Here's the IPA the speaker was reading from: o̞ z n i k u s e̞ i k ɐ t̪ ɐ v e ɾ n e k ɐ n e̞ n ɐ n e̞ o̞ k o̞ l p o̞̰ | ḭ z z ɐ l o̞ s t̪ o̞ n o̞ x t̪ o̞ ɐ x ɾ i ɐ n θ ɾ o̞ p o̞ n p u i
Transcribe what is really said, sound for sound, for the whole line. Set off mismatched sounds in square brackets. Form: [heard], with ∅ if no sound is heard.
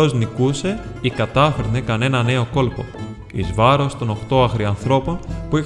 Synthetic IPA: o̞ z n i k u s e̞ i k ɐ t̪ ɐ [f] e ɾ n e k ɐ n e̞ n ɐ n e̞ o̞ k o̞ l p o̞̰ | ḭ z [v] ɐ [ɾ] o̞ s t̪ o̞ n o̞ x t̪ o̞ ɐ x ɾ i ɐ n θ ɾ o̞ p o̞ n p u i